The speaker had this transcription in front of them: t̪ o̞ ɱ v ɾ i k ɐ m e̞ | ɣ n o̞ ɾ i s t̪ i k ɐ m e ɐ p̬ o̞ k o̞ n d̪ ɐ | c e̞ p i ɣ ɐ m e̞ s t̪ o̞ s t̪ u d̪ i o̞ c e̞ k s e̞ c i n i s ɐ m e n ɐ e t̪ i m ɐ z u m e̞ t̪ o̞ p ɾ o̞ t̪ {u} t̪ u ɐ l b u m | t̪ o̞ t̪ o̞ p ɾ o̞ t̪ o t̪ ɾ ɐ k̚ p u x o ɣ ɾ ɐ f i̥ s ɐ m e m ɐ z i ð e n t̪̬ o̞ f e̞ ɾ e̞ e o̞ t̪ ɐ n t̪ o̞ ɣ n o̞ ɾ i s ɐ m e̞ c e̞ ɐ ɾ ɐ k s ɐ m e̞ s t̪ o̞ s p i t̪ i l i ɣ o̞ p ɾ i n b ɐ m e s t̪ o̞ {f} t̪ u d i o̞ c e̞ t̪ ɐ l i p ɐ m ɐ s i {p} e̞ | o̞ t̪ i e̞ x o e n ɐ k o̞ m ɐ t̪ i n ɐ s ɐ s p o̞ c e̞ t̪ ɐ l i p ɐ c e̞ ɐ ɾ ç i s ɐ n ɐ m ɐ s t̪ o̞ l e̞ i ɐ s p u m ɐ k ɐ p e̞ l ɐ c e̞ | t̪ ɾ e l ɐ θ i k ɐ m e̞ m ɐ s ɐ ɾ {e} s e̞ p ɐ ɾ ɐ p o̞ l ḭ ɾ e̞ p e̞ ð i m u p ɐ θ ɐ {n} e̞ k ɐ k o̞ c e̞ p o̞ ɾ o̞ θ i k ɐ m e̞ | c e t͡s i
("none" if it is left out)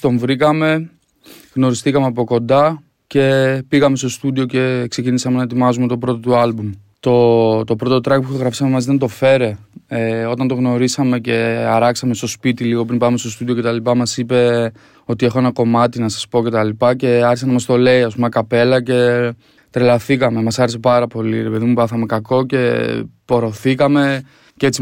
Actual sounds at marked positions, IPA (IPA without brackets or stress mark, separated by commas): o, s, p, e, m